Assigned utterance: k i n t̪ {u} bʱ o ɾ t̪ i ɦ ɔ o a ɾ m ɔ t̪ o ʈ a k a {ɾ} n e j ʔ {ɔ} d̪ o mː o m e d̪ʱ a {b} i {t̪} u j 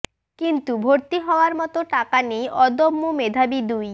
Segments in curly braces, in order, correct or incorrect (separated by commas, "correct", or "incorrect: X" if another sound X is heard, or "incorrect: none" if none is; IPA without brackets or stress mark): correct, incorrect: none, correct, correct, incorrect: d̪